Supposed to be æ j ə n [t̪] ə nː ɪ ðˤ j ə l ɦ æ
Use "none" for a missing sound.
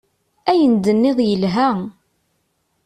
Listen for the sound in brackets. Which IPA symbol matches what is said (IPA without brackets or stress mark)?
d̪